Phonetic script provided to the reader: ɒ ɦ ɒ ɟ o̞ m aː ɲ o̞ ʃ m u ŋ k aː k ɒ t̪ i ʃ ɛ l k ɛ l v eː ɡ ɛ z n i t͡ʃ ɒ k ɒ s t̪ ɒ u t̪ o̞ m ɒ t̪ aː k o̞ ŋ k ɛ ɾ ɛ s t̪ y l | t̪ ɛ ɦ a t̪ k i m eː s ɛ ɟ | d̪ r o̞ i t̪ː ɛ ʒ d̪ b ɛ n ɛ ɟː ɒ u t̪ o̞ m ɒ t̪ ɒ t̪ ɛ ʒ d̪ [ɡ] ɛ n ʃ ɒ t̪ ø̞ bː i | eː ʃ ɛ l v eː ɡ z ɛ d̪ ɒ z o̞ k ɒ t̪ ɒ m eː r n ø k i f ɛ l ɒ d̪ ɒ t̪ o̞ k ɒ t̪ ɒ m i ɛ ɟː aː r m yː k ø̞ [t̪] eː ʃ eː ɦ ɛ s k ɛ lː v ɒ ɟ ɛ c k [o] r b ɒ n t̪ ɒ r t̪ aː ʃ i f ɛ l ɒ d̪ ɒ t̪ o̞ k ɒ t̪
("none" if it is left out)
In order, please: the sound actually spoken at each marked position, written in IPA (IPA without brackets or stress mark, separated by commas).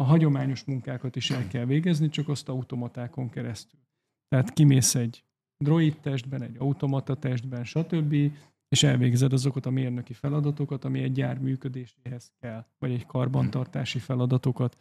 b, d̪, ɒ